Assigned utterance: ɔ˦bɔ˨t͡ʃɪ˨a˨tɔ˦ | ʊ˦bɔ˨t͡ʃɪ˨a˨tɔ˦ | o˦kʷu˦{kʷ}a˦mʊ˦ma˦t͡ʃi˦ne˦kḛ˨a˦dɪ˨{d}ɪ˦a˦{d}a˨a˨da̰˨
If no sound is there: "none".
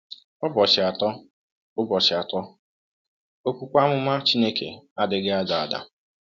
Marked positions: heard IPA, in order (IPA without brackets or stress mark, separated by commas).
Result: kʷ, ɡ, d